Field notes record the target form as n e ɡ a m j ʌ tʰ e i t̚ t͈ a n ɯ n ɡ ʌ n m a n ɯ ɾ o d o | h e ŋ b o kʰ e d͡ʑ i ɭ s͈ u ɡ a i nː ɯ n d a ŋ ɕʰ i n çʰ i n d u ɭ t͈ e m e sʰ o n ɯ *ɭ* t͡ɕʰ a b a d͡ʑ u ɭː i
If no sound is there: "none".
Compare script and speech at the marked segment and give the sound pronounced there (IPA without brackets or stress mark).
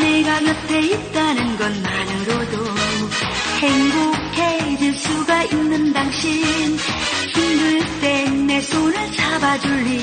ɭ